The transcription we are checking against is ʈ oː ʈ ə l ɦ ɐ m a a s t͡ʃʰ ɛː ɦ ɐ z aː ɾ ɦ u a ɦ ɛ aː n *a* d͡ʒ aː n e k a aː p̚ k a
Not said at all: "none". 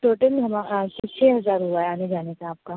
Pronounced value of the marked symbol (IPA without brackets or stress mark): e